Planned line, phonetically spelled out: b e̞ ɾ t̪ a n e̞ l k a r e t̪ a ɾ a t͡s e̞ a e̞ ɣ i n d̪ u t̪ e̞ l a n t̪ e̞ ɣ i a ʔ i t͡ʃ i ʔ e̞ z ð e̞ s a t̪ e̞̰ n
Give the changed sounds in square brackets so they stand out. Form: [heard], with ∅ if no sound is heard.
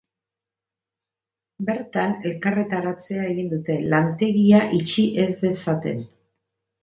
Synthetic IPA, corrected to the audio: b e̞ ɾ t̪ a n e̞ l k a r e t̪ a ɾ a t͡s e̞ a e̞ ɣ i n d̪ u t̪ e̞ l a n t̪ e̞ ɣ i a ʔ i t͡ʃ i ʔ e̞ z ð e̞ s a t̪ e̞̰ n